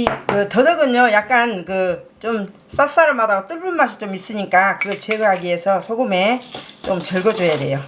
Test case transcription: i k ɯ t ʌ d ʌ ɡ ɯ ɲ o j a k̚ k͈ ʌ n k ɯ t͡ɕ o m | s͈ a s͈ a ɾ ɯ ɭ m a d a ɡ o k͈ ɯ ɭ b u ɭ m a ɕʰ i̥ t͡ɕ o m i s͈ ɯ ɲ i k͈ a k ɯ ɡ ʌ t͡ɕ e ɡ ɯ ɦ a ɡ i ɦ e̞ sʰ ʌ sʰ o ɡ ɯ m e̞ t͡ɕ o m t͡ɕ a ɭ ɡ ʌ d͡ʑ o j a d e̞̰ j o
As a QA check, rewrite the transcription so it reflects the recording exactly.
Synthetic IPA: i k ɯ t ʌ d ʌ ɡ ɯ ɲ o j a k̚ k͈ a n k ɯ t͡ɕ o m | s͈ a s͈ a ɾ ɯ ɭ m a d a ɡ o t͈ ɯ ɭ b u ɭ m a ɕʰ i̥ t͡ɕ o m i s͈ ɯ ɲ i k͈ a k ɯ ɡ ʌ t͡ɕ e ɡ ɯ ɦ a ɡ i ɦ e̞ sʰ ʌ sʰ o ɡ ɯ m e̞ t͡ɕ o m t͡ɕ ʌ ɭ ɡ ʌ d͡ʑ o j a d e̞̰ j o